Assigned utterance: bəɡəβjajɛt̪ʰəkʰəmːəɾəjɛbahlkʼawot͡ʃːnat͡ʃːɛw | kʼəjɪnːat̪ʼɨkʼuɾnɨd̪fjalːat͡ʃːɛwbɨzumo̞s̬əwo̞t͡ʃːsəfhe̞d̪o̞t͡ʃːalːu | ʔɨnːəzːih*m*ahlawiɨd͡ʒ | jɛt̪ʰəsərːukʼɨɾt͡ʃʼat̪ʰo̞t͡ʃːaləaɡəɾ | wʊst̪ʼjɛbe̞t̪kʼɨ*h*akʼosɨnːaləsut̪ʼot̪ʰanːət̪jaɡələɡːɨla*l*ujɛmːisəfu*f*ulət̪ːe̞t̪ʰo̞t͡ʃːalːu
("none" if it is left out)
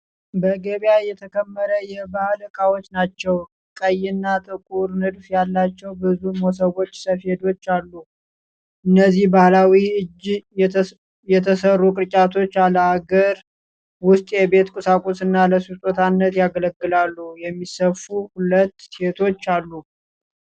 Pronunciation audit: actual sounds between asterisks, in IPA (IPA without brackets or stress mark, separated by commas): b, s, lː, h